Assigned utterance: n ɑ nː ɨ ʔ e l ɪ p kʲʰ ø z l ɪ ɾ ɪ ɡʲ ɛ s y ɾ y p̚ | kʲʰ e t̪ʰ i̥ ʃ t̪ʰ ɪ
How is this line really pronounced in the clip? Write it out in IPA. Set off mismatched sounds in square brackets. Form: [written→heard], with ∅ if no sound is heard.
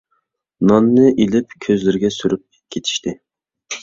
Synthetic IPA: n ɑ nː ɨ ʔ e l ɪ p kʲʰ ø z l ɪ ɾ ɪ ɡʲ ɛ s y ɾ y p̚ | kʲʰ e t̪ʰ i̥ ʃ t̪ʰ ɪ